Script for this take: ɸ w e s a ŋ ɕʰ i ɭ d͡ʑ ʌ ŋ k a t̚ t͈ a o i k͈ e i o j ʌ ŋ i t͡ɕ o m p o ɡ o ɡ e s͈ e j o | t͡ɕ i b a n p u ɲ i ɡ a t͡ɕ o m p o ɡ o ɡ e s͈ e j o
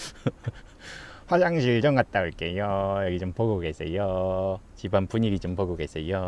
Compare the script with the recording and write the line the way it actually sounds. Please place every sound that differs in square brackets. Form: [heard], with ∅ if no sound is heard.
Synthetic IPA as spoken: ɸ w [a] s a ŋ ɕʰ i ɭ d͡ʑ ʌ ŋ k a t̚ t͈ a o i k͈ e [j] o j ʌ [ɡ] i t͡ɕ o m p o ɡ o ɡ e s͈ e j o | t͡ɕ i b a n p u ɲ i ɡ [i] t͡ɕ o m p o ɡ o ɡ e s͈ e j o